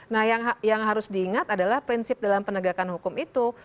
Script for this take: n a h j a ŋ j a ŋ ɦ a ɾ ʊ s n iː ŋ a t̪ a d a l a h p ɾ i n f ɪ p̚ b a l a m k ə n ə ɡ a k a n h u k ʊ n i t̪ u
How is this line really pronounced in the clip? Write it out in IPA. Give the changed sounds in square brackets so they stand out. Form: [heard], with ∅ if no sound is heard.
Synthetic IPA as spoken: n a h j a ŋ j a ŋ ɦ a ɾ ʊ s [d] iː ŋ a t̪ a d a l a h p ɾ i n [s] ɪ p̚ [d] a l a m [p] ə n ə ɡ a k a n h u k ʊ [m] i t̪ u